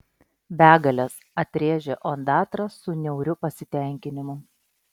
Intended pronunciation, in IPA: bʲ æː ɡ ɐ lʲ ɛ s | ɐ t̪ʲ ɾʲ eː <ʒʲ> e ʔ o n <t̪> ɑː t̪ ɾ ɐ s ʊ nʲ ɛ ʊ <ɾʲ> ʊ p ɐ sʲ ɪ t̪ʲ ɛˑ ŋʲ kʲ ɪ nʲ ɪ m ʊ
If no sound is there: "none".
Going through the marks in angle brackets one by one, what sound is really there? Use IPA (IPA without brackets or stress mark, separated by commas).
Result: ʒʲ, d̪, ɾʲ